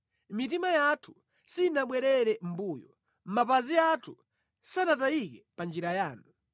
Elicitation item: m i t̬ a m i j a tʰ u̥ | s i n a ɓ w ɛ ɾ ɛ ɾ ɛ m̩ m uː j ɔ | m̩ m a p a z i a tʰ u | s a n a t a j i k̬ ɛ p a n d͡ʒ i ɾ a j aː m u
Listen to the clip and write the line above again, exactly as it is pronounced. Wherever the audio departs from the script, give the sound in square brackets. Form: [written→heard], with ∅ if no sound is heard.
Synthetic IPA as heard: m i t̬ [a→i] m [i→a] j a tʰ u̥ | s i n a ɓ w ɛ ɾ ɛ ɾ ɛ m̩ [m→b] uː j ɔ | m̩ m a p a z i a tʰ u | s a n a t a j i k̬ ɛ p a n d͡ʒ i ɾ a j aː [m→n] u